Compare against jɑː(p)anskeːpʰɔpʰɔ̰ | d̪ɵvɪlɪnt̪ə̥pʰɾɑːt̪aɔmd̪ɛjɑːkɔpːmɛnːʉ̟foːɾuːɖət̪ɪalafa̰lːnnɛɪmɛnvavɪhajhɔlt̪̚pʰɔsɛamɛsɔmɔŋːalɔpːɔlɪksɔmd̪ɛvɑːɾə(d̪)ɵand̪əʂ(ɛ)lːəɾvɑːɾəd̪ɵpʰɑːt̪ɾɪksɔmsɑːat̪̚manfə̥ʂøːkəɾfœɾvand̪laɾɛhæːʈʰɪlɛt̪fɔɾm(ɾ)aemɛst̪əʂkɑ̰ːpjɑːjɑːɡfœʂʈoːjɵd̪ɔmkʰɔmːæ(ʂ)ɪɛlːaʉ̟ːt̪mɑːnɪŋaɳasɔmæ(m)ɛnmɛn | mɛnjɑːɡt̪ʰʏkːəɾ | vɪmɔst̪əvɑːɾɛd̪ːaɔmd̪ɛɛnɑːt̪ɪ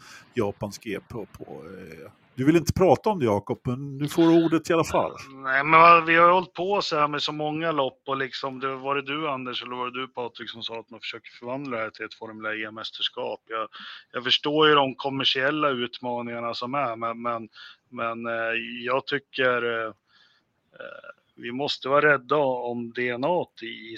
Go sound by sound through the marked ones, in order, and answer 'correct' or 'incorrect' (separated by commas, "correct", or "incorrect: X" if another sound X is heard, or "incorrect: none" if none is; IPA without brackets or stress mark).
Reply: correct, correct, correct, incorrect: l, correct, correct